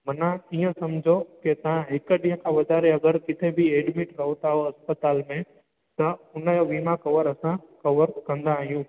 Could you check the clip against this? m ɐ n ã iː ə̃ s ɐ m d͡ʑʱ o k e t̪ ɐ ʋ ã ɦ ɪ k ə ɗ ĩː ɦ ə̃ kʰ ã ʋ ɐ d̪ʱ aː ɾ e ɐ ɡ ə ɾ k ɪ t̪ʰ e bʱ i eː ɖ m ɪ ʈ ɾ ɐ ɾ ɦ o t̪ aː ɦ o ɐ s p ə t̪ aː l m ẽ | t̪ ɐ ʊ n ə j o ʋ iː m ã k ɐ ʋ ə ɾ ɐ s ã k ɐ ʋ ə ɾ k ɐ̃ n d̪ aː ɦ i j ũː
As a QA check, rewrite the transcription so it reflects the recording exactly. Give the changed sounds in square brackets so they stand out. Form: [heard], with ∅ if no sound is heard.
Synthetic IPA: m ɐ n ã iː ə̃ s ɐ m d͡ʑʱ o k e t̪ ɐ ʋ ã ɦ ɪ k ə ɗ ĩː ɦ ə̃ kʰ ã ʋ ɐ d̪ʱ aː ɾ e ɐ ɡ ə ɾ k ɪ t̪ʰ e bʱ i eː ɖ m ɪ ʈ ɾ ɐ [∅] ɦ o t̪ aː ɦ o ɐ s p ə t̪ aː l m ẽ | t̪ ɐ ʊ n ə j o ʋ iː m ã k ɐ ʋ ə ɾ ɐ s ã k ɐ ʋ ə ɾ k ɐ̃ n d̪ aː ɦ i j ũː